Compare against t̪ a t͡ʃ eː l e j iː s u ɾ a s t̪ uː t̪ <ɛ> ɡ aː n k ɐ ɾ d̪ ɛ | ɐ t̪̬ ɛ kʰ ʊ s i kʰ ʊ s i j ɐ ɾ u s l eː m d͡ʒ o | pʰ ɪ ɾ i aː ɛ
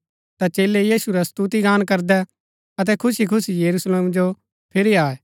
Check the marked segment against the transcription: incorrect: i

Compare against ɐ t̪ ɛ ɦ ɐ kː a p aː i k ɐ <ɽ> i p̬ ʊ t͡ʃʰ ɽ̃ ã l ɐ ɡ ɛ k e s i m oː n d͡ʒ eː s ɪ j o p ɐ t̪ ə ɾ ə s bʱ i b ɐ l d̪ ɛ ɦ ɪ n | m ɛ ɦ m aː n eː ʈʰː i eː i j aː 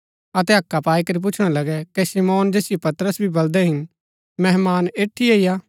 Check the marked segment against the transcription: incorrect: ɾ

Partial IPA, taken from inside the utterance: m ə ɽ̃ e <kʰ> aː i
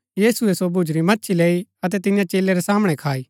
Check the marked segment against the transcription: correct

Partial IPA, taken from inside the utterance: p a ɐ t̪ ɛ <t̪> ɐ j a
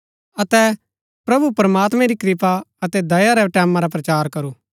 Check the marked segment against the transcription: incorrect: d̪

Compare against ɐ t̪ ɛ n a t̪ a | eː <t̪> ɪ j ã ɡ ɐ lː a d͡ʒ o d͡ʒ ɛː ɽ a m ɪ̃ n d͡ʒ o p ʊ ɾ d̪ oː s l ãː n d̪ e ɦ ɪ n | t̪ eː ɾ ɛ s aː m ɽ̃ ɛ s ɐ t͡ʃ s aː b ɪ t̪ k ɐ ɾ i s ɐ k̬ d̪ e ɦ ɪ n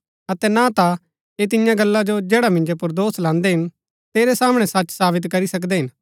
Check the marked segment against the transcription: correct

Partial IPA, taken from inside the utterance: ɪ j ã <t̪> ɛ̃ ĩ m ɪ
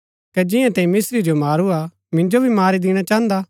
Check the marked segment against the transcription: correct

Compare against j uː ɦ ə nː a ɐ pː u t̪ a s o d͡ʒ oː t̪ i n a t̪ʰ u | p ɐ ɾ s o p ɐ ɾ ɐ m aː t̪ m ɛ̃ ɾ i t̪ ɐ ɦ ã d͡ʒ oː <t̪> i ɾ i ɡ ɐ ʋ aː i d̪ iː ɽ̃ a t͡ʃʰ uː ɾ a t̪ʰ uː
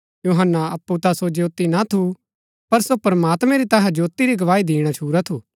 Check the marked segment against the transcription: correct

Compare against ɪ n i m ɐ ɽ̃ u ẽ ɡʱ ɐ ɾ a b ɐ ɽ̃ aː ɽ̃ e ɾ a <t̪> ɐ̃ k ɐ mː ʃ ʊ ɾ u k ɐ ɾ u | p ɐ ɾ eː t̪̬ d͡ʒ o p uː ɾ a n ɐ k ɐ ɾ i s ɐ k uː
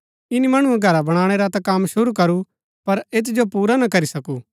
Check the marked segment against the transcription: correct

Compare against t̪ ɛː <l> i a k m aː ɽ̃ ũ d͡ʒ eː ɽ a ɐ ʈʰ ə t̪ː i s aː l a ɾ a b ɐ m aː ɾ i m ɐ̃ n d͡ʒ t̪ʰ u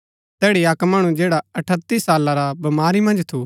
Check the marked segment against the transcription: incorrect: ɽ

